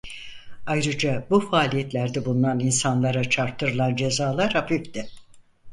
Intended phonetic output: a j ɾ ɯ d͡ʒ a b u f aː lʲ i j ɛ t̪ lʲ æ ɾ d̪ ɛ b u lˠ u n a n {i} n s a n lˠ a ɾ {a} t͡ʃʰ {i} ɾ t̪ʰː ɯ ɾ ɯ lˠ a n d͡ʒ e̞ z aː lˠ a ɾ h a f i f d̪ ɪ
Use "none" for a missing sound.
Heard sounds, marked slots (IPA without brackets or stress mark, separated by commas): i, a, a